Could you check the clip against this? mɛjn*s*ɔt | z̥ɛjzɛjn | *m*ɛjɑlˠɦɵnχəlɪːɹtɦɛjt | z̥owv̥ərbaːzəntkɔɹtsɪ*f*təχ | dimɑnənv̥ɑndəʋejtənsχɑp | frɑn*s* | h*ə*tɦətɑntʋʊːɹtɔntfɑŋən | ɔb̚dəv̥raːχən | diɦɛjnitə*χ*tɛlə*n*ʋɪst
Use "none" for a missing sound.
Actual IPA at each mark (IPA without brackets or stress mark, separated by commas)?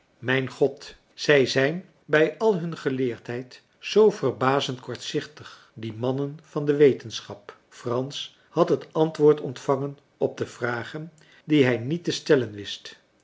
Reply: χ, b, χ, s, ɑ, s, n